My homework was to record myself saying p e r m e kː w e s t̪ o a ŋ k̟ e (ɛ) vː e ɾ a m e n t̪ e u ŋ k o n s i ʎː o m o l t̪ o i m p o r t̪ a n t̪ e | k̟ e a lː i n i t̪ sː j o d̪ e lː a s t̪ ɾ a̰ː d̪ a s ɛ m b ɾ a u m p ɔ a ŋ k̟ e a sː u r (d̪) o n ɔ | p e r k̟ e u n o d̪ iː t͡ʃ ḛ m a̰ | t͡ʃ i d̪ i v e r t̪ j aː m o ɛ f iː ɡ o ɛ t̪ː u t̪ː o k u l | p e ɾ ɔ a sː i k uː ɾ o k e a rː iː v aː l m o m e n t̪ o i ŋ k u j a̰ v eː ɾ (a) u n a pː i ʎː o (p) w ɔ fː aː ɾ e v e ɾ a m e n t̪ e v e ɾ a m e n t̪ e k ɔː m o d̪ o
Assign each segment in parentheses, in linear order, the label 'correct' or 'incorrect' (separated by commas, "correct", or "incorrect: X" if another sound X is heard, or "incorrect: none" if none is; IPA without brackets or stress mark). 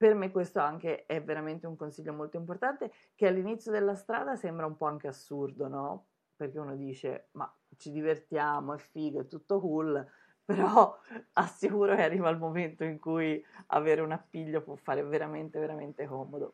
correct, correct, incorrect: e, correct